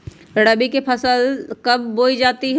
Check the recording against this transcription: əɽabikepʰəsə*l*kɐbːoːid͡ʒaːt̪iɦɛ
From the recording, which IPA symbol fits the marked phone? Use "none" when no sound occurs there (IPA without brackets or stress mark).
l